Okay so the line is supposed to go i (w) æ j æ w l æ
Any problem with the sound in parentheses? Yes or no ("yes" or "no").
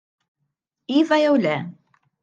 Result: yes